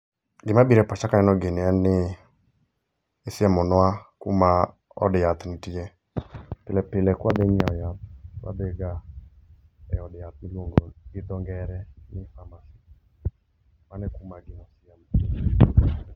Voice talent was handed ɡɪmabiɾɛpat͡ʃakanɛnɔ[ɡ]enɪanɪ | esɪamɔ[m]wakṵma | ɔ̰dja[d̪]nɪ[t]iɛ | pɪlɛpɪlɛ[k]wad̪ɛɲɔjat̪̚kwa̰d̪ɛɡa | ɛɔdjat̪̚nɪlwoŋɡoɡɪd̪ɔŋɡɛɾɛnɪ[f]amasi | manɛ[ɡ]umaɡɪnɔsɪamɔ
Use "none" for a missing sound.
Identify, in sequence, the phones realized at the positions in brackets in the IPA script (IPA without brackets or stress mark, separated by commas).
ɡ, n, t̪, t, k, f, k